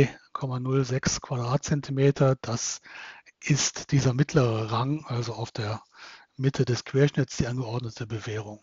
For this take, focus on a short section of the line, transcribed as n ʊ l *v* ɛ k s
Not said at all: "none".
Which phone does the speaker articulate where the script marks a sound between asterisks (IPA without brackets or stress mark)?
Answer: z